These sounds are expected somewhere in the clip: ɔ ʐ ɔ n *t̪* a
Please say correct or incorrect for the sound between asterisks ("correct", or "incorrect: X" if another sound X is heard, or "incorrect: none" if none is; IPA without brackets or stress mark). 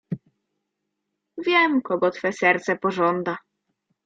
incorrect: d̪